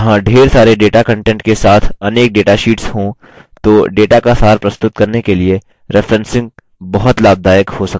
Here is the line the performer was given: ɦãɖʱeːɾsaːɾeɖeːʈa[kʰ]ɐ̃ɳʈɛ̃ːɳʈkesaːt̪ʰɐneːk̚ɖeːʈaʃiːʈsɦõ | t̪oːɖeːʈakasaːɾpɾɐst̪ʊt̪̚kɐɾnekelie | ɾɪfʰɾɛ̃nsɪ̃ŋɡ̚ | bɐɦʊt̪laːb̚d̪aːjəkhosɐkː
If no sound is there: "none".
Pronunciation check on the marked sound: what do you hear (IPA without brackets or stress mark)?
k